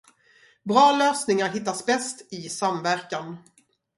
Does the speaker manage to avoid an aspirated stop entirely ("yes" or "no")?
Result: yes